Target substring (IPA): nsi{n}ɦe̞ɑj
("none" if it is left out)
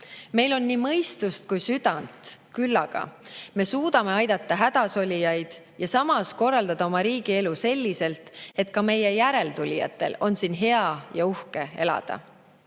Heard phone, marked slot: n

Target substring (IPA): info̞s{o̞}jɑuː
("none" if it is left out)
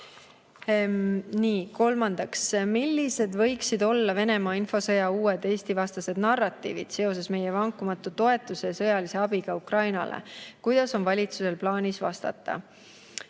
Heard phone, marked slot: ɤ̞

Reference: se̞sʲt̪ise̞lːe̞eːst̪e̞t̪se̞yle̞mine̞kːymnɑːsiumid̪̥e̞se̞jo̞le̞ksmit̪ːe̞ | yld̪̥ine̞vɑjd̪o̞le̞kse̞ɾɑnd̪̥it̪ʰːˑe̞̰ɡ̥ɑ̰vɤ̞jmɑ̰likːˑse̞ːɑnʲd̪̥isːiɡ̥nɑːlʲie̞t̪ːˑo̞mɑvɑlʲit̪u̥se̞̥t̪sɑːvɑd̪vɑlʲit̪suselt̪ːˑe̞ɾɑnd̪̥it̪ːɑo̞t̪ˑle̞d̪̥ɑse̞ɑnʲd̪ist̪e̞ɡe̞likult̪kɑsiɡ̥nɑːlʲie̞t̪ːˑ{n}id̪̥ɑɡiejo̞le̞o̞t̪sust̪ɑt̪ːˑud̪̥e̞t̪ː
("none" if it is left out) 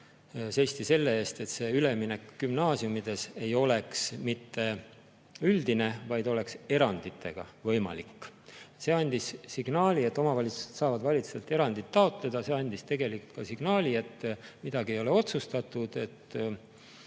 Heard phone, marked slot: m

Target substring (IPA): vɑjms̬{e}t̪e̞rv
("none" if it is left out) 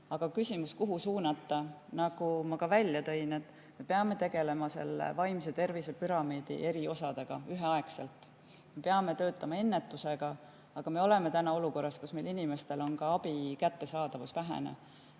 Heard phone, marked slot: e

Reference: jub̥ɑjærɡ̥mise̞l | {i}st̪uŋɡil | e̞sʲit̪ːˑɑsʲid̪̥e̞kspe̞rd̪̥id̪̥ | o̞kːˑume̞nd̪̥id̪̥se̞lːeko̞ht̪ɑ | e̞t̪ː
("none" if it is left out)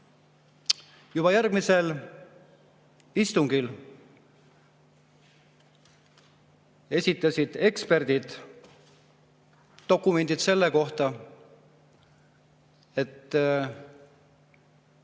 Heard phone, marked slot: i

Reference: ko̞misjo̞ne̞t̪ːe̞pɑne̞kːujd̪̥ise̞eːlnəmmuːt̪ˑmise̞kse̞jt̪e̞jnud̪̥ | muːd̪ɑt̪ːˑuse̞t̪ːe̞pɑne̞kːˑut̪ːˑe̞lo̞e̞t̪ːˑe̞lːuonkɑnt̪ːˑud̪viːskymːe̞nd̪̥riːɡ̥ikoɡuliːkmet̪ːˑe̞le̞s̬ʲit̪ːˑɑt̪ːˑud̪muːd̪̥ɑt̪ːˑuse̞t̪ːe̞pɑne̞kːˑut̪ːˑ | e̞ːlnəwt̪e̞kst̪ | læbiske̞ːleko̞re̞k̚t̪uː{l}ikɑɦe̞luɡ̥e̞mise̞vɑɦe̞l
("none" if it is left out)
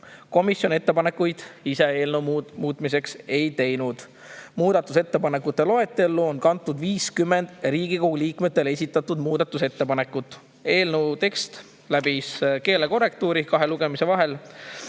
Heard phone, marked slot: ɾ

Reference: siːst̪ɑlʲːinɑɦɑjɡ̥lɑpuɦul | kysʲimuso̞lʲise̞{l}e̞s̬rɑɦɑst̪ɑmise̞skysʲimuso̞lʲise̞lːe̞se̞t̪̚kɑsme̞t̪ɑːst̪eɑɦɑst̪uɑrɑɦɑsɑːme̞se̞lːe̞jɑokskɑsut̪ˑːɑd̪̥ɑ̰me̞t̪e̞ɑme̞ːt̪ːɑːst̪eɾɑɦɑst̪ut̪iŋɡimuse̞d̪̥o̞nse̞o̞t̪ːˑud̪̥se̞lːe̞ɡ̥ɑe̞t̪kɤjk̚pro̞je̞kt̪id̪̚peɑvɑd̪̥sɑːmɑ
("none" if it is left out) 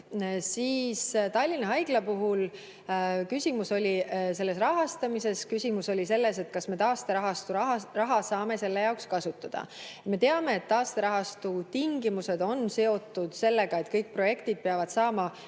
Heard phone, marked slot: lː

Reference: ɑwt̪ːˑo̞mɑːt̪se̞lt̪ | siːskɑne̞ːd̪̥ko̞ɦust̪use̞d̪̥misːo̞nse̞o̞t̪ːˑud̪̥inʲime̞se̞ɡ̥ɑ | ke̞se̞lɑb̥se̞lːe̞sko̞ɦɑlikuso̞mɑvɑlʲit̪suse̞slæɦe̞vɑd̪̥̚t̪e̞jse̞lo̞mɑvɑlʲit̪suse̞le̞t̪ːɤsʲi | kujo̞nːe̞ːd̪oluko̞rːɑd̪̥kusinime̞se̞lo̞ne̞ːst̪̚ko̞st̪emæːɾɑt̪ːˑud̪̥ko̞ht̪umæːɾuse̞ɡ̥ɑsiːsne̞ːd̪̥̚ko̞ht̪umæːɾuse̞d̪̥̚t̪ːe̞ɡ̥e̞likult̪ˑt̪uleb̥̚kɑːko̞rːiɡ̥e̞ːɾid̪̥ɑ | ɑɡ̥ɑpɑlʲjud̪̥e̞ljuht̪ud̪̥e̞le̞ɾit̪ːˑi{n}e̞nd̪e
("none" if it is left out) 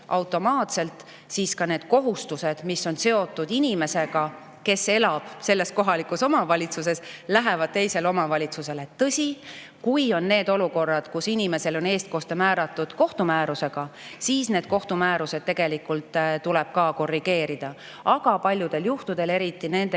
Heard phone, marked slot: n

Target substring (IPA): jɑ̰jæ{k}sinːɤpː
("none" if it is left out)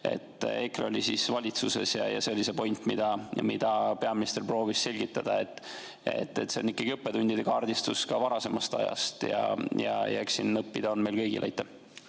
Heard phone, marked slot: k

